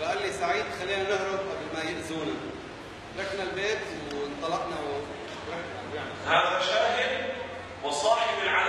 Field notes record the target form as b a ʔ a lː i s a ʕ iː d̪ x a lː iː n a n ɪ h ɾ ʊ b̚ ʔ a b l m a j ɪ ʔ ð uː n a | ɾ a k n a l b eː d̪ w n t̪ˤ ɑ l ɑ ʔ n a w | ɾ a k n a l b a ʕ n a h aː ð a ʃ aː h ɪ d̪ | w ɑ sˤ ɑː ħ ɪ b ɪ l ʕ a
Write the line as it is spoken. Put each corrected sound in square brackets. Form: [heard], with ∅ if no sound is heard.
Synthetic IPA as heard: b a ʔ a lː i s a ʕ iː d̪ x a lː iː n a n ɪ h ɾ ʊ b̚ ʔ a b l m a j ɪ ʔ [z] uː n a | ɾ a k n a l b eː [t̪] w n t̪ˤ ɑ l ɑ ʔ n a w | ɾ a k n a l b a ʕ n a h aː ð a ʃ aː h ɪ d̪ | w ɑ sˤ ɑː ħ ɪ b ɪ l ʕ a